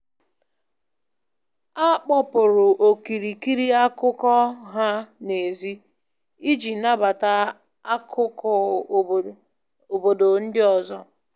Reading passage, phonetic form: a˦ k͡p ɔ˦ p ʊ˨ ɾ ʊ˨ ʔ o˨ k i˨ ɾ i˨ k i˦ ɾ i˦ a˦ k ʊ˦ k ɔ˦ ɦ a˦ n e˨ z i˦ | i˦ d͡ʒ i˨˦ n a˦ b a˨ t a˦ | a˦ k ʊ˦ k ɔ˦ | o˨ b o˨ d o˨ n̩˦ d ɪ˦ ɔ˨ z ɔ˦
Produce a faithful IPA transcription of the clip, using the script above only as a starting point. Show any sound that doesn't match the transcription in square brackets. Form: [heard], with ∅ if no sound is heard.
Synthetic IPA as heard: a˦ k͡p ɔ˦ p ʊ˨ ɾ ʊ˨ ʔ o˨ k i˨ ɾ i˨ k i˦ ɾ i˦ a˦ k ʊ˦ k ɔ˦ ɦ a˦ n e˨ z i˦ | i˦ d͡ʒ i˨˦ n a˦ b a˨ t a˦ | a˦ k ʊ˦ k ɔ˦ | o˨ b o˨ d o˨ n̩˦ d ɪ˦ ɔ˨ z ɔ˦